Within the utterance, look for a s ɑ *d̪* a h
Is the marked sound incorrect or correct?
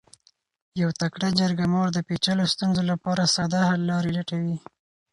correct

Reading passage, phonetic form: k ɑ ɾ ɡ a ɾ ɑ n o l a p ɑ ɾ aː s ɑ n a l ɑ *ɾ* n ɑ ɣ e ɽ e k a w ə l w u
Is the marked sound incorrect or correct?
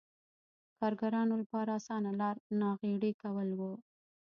correct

